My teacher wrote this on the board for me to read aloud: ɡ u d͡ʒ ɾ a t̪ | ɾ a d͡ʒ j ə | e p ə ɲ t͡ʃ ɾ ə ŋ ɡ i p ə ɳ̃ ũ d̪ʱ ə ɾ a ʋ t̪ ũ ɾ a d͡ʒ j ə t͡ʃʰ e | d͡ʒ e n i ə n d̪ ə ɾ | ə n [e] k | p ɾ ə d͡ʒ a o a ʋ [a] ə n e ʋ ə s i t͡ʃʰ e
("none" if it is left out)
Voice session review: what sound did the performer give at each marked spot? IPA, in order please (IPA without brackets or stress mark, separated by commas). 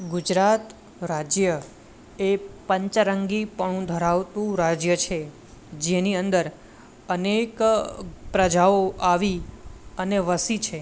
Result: e, i